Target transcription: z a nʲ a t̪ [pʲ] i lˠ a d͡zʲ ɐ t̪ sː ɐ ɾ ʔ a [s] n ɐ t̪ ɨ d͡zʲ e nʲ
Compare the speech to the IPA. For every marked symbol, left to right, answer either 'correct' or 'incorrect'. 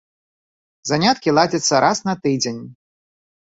incorrect, correct

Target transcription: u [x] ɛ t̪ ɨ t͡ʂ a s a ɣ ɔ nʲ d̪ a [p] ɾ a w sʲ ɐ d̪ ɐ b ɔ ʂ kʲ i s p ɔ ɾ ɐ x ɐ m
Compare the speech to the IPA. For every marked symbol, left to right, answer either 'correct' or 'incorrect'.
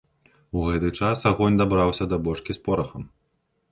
incorrect, incorrect

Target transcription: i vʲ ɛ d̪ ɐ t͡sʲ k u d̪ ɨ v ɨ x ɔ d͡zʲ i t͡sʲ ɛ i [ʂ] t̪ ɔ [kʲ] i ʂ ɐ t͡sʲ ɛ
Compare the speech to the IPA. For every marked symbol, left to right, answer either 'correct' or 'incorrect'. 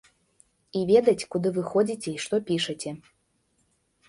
correct, incorrect

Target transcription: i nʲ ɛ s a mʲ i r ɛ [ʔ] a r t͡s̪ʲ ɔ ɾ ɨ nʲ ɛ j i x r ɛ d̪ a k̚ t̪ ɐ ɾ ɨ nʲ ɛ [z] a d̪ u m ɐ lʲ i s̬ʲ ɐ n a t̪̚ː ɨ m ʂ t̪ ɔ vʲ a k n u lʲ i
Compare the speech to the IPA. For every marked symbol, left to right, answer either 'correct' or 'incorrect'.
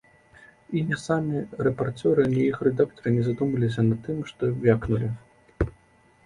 incorrect, correct

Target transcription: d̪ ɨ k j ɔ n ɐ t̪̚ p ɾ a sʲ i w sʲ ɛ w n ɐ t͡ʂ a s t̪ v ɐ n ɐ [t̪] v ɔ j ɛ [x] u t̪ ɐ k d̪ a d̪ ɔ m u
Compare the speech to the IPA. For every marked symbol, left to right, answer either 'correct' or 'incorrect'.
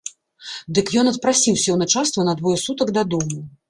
incorrect, incorrect

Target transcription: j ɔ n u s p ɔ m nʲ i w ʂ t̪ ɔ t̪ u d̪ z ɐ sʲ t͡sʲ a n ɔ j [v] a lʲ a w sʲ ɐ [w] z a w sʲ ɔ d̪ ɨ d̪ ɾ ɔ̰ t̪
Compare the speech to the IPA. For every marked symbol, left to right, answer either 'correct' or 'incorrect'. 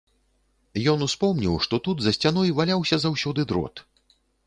correct, incorrect

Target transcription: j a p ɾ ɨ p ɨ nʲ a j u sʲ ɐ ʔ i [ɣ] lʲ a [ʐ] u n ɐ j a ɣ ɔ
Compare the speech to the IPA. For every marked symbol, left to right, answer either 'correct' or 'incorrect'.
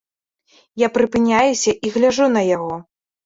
correct, correct

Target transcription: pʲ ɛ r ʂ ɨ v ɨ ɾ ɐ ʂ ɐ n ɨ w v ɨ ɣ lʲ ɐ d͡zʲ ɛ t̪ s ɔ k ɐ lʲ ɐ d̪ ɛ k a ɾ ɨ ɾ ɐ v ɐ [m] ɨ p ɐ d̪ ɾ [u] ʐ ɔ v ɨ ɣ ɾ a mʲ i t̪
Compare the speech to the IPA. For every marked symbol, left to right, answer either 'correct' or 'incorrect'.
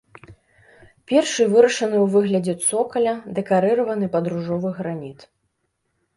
incorrect, correct

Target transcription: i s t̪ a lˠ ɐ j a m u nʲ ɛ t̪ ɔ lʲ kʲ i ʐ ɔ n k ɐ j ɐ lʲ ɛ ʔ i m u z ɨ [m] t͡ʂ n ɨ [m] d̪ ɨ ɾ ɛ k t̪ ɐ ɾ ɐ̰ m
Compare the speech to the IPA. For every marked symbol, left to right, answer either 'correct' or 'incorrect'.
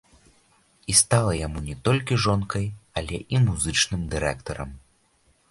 incorrect, correct

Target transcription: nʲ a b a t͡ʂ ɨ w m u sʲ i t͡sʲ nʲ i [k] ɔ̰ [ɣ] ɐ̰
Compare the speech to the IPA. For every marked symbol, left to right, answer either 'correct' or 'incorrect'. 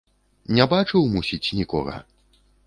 correct, correct

